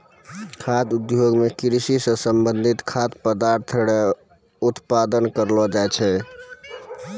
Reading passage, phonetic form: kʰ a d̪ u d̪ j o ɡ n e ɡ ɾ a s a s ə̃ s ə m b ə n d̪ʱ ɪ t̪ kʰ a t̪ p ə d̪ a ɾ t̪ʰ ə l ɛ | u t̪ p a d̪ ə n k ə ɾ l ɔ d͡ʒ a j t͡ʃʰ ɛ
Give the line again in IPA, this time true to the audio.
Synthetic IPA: kʰ a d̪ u d̪ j o ɡ m e k ɾ i s i s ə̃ s ə m b ə n d̪ʱ i t̪ kʰ a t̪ p ə d̪ a ɾ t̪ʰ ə ɽ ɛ | u t̪ p a d̪ ə n k ə ɾ l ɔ d͡ʒ a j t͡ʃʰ ɛ